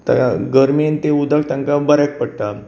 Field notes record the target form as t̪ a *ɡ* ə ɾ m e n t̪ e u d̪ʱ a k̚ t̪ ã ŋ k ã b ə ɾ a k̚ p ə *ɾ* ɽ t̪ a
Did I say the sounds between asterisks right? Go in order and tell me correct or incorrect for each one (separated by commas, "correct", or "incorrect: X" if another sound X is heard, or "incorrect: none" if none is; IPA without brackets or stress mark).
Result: correct, incorrect: none